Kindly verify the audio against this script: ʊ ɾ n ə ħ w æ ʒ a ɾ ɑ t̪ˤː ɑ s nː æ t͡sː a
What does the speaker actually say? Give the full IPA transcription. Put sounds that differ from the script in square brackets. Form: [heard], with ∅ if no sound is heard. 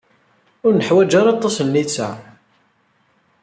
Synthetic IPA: ʊ ɾ n ə ħ w æ [d͡ʒ] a ɾ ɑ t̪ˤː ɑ s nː [i] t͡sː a